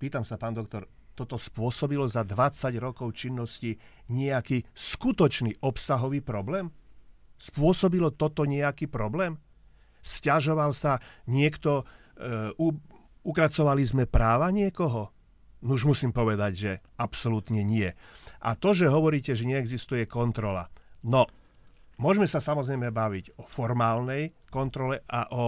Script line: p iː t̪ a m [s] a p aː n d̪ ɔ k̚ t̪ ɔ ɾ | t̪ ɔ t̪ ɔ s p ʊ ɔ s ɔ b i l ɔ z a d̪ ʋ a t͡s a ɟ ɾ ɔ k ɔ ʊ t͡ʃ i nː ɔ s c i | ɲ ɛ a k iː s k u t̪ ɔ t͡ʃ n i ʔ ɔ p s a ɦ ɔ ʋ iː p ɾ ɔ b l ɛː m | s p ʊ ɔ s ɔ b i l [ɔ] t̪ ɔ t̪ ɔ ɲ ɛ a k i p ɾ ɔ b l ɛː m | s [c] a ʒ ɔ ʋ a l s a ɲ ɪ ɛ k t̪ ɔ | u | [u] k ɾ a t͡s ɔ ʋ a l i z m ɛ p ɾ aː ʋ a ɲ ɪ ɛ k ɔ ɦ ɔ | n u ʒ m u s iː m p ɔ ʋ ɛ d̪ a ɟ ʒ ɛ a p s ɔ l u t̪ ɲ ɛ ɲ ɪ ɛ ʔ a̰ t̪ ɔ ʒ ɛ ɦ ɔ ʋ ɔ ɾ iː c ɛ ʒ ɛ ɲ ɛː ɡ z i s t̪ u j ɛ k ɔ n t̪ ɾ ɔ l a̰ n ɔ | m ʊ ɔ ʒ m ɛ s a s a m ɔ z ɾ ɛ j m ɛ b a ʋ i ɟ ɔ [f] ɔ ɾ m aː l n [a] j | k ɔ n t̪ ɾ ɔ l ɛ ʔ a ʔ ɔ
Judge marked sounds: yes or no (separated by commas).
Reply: yes, yes, yes, yes, yes, no